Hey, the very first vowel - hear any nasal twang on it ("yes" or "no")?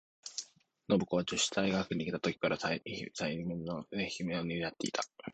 no